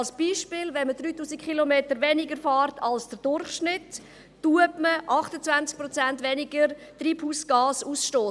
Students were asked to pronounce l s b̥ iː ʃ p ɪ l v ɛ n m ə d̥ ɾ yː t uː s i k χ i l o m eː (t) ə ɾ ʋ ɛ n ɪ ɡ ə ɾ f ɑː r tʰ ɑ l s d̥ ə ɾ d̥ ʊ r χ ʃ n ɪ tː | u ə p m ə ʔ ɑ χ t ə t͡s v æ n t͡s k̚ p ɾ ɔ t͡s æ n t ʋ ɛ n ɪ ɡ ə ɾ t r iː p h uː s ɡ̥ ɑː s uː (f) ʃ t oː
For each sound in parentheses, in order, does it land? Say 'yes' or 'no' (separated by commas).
yes, no